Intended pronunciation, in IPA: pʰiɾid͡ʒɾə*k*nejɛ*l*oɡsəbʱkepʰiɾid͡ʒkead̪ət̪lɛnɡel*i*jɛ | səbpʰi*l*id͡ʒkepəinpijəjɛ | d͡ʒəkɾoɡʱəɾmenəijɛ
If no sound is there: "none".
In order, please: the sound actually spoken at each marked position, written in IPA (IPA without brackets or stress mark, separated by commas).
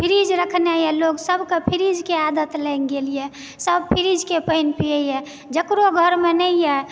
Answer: kʰ, l, i, ɾ